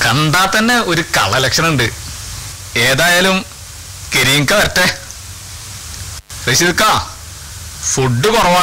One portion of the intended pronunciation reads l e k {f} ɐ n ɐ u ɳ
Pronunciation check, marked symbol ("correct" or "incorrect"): incorrect